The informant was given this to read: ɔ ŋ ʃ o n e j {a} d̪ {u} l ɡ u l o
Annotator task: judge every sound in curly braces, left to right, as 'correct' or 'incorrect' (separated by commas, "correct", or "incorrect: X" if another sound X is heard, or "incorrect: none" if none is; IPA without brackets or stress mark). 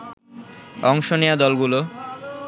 correct, incorrect: ɔ